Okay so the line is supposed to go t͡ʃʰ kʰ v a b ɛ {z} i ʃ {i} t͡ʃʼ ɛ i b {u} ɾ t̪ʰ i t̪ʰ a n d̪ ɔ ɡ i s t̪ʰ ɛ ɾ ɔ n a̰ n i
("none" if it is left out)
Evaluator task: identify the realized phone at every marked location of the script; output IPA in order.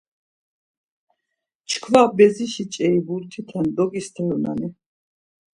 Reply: z, i, u

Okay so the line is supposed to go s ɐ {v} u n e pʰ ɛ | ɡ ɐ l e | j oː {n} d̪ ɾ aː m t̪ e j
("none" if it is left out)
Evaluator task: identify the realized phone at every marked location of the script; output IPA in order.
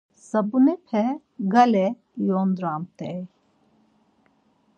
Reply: b, n

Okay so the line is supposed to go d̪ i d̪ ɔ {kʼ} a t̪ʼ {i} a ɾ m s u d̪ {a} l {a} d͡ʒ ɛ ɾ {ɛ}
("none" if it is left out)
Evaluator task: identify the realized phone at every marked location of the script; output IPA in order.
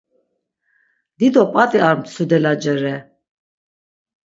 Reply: pʼ, i, ɛ, a, ɛ

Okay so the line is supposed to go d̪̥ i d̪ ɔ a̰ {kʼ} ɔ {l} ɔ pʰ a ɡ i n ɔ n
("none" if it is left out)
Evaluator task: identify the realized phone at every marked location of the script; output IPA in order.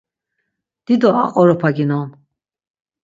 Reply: qʼ, ɾ

